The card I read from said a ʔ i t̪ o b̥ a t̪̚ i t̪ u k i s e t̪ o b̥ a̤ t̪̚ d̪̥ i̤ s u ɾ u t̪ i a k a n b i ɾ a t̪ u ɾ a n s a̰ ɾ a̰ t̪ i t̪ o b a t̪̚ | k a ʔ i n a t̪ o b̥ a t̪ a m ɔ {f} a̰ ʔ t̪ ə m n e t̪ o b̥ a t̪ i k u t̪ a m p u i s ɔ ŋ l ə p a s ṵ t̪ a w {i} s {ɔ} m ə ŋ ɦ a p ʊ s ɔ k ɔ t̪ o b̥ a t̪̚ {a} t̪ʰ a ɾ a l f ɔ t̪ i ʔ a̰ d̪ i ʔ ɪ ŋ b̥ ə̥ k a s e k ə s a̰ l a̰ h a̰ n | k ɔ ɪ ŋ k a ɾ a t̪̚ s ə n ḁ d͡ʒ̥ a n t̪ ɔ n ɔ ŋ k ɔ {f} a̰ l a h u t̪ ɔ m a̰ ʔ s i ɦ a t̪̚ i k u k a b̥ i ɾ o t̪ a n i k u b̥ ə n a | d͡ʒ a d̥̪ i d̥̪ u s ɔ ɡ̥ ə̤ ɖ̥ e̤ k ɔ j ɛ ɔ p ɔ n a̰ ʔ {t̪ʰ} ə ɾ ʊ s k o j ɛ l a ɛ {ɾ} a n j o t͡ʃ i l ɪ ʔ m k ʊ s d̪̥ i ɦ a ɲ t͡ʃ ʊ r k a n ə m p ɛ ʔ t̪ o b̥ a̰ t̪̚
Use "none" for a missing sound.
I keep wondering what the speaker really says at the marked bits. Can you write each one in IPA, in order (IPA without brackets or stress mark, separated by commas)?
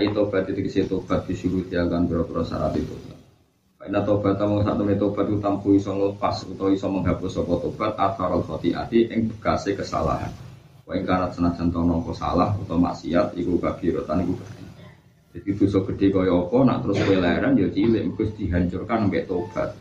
s, i, ɔ, a, s, t̪, ɾ